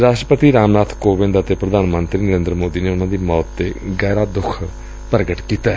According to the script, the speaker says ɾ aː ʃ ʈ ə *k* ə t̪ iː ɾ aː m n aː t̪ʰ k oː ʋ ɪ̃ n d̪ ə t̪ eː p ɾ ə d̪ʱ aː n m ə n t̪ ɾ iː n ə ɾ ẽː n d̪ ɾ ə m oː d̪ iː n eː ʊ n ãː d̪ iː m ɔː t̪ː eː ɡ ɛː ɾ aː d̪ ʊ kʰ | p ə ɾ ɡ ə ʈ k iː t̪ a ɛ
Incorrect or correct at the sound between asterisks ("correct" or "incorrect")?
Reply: incorrect